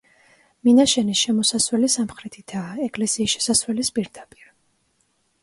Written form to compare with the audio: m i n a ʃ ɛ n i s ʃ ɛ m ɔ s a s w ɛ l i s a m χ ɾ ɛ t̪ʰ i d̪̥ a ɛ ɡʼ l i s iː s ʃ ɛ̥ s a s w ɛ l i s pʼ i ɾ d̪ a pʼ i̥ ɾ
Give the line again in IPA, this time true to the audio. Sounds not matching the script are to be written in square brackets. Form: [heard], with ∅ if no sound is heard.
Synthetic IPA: m i n a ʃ ɛ n i s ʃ ɛ m ɔ s a s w ɛ l i s a m χ ɾ ɛ t̪ʰ i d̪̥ a ɛ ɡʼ l [ɛ] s iː s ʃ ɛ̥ s a s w ɛ l i s pʼ i ɾ d̪ a pʼ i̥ ɾ